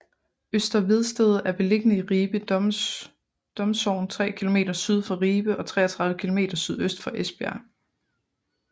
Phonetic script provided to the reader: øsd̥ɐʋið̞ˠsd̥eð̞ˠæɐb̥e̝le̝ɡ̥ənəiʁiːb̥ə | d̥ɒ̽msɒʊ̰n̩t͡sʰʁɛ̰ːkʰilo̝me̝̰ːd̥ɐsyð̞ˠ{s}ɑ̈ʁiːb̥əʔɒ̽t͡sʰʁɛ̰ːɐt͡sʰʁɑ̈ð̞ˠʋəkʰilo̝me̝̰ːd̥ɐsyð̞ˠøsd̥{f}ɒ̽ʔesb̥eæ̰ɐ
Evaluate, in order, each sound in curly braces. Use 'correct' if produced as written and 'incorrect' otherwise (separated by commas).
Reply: incorrect, correct